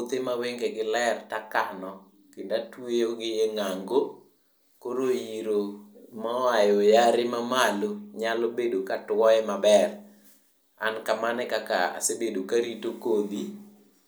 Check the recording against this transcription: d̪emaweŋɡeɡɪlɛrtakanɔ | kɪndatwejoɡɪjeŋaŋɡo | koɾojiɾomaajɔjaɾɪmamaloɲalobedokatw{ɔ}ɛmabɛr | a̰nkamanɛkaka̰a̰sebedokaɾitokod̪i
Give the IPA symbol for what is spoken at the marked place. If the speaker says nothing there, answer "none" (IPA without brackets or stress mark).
ɔ